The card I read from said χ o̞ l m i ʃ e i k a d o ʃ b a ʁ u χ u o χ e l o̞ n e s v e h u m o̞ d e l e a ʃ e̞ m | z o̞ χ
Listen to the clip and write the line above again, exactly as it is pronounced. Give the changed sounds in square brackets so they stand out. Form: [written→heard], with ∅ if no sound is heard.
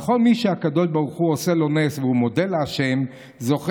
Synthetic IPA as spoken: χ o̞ l m i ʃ e [i→a] k a d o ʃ b a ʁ u χ u o [χ→s] e l o̞ n e s v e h u m o̞ d e l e a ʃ e̞ m | z o̞ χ

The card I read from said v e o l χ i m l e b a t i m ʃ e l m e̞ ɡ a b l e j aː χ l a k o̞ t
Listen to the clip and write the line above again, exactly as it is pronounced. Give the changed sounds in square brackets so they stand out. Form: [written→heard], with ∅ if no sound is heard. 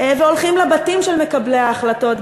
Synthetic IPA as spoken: v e o l χ i m l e b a t i m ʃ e l m e̞ [ɡ→k] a b l e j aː χ l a [k→t] o̞ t

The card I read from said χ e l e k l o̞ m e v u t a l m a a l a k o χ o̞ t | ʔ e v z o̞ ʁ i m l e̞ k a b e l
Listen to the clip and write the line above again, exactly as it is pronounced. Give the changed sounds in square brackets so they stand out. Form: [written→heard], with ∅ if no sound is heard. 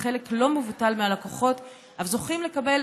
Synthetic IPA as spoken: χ e l e k l o̞ m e v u t a l m [a→e] a l a k o χ o̞ t | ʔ [e→a] v z o̞ [ʁ→χ] i m l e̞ k a b e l

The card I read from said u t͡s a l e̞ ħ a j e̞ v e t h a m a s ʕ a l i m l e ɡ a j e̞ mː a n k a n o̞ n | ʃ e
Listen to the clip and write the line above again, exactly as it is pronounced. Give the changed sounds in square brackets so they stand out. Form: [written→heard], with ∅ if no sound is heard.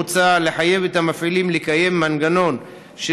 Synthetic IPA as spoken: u t͡s a l e̞ ħ a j e̞ v e t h a m a [s→f] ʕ [a→i] l i m l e [ɡ→k] a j e̞ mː a n [k→ɡ] a n o̞ n | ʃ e

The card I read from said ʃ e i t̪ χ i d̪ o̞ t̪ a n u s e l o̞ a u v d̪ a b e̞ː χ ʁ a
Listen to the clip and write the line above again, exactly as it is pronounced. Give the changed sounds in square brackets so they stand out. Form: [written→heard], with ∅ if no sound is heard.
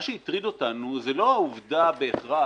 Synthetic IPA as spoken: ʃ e i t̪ [χ→ʁ] i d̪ o̞ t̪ a n u [s→z] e l o̞ a u v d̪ a b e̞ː χ ʁ a

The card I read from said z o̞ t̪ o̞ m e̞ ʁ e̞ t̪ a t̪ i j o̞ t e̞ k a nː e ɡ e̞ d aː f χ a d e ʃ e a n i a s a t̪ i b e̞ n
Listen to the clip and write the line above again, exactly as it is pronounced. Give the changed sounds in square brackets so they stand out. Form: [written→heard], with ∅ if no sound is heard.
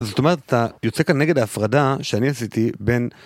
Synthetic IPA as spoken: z o̞ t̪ o̞ m e̞ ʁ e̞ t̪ a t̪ [i→a] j o̞ [t→t͡s] e̞ k a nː e ɡ e̞ d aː f [χ→ʁ] a d [e→a] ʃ e a n i a s [a→i] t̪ i b e̞ n

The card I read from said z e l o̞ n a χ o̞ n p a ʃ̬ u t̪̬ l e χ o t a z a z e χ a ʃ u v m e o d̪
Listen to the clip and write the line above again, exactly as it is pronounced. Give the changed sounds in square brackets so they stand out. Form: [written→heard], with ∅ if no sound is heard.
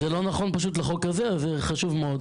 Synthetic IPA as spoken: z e l o̞ n a χ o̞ n p a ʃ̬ u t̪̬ l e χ o [t→k] a z [a→e] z e χ a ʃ u v m e o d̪

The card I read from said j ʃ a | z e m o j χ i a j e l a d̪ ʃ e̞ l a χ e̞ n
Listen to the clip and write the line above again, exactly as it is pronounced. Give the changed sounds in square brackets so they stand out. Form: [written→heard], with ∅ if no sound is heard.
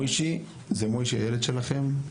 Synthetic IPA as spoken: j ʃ [a→i] | z e m o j [χ→ʃ] i a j e l [a→e] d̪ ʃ e̞ l a χ e̞ [n→m]

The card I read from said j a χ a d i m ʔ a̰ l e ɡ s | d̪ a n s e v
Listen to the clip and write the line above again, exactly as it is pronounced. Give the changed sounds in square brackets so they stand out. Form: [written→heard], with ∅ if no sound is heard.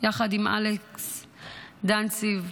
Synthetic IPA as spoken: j a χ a d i m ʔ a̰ l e [ɡ→k] s | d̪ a n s [e→i] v

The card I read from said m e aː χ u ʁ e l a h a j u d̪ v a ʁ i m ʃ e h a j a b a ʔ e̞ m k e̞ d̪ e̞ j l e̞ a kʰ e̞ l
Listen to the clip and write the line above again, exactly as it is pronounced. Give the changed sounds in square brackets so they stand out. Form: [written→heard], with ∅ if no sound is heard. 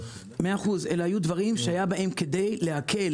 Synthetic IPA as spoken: m e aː χ u [ʁ→z] e l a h a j u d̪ v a ʁ i m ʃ e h a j a b a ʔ e̞ m k e̞ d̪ e̞ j l e̞ a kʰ e̞ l

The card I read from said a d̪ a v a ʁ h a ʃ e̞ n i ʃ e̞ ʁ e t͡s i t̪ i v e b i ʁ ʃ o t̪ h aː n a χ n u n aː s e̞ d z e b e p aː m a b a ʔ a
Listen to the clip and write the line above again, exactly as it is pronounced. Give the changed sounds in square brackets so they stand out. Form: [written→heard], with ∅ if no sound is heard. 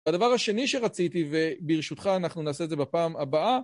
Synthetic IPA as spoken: a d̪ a v a ʁ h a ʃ e̞ n i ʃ e̞ ʁ [e→a] t͡s i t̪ i v e b i ʁ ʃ [o→u] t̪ [h→χ] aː n a χ n u n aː s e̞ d z e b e p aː m a b a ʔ a

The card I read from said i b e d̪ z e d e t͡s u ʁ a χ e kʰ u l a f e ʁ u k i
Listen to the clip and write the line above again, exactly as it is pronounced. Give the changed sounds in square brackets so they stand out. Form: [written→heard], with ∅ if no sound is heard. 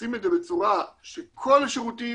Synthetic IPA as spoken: i [b→m] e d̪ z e [d→b] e t͡s u ʁ a [χ→ʃ] e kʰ [u→o] l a [f→ʃ] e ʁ u [k→t] i

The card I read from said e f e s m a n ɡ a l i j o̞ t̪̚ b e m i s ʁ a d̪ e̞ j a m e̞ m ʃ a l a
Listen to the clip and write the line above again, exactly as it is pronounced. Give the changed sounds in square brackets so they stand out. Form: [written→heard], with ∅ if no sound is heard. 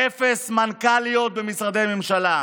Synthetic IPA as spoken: e f e s m a n [ɡ→k] a l i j o̞ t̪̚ b e m i s ʁ a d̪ e̞ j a m e̞ m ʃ a l a

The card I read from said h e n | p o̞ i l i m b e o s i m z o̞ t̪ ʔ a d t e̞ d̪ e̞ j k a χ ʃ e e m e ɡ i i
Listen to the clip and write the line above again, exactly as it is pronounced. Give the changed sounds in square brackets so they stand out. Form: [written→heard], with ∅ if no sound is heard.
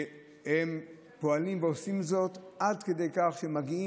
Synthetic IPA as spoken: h e [n→m] | p o̞ [i→a] l i m [b→v] e o s i m z o̞ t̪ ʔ a d [t→k] e̞ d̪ e̞ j k a χ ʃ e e m [e→a] ɡ i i

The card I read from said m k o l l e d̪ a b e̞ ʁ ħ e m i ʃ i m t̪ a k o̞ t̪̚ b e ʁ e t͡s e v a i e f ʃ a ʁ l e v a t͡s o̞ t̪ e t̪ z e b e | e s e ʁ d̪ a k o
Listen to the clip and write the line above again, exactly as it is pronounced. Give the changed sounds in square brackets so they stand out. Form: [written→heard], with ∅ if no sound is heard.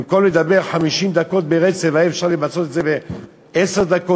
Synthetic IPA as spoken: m k o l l e d̪ a b e̞ ʁ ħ [e→a] m i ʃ i m [t̪→d̪] a k o̞ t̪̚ b e ʁ e t͡s e v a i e f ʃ a ʁ l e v a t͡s o̞ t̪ e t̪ z e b e | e s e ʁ d̪ a k o

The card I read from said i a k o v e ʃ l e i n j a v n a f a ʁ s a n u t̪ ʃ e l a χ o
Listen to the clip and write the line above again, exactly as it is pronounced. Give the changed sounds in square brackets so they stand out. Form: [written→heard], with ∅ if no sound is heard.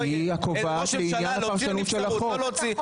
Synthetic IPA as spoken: i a k o v [e→a] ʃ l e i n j a [v→∅] n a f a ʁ [s→ʃ] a n u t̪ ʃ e l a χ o

